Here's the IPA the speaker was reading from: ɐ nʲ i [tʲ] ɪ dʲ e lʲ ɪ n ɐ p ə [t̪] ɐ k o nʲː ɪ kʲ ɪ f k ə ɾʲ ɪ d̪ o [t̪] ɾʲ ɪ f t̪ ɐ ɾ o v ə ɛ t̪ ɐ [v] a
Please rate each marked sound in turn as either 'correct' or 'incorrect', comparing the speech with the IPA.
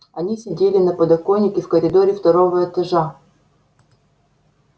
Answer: incorrect, incorrect, incorrect, incorrect

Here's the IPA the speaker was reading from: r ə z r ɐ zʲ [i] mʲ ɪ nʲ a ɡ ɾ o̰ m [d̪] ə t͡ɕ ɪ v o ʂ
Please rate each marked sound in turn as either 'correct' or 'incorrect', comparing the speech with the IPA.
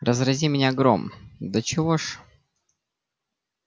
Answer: correct, correct

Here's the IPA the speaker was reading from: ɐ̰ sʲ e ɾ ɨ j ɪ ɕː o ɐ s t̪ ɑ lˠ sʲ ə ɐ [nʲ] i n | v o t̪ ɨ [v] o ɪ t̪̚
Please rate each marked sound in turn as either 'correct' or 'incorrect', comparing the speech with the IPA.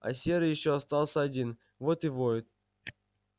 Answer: incorrect, correct

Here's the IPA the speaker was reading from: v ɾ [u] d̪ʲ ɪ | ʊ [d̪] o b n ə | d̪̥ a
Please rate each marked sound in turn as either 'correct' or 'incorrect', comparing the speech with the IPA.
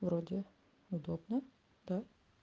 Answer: incorrect, correct

